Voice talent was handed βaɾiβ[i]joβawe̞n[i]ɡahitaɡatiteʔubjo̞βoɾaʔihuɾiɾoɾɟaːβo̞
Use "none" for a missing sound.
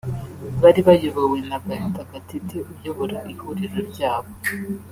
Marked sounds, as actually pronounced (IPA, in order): a, a

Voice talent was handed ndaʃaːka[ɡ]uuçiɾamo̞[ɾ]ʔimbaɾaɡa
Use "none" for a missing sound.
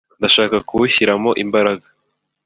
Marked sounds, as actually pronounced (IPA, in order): k, none

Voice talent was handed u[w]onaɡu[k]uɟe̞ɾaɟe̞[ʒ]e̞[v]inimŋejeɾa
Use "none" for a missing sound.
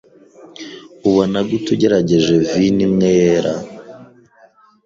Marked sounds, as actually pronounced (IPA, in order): β, t, ʒ, v

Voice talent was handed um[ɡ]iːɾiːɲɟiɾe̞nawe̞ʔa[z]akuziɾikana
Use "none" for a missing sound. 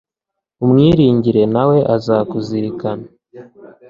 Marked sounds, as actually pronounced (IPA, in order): ŋ, z

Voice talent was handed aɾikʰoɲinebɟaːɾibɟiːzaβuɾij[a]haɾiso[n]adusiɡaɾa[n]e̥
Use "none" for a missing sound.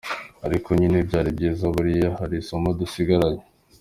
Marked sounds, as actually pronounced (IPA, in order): a, m, ɲ

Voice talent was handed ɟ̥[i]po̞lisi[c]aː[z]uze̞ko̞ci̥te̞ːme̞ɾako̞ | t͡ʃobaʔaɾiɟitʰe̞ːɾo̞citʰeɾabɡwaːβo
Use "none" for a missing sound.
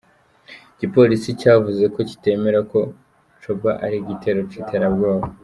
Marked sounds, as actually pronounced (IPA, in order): i, c, v

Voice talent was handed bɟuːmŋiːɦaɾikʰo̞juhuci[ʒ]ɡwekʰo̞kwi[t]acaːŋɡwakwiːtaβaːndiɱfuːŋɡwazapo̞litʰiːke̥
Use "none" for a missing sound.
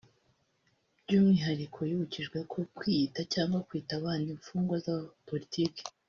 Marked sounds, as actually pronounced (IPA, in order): ʒ, t

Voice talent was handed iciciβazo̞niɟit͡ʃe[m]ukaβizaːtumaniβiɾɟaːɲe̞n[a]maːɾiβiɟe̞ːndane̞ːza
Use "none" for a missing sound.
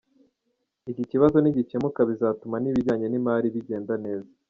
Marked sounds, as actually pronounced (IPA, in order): m, i

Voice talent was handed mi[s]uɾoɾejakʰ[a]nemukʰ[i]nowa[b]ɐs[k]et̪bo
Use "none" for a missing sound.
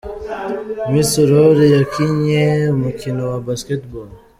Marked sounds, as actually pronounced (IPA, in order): s, i, i, b, k

